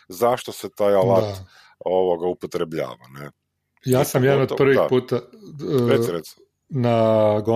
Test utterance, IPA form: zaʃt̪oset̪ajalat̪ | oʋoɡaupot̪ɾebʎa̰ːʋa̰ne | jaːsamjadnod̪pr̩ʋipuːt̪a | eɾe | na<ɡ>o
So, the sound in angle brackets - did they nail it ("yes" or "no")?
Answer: yes